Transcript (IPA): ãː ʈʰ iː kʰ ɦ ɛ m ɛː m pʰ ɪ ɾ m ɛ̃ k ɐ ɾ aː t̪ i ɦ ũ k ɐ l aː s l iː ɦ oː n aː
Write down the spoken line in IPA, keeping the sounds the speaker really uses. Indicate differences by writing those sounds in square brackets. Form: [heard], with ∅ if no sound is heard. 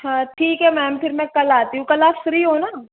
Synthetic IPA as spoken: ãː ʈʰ iː [k] ɦ ɛ m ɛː m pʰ ɪ ɾ m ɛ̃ k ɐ [l] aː t̪ i ɦ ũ k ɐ l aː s [ɾ] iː ɦ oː n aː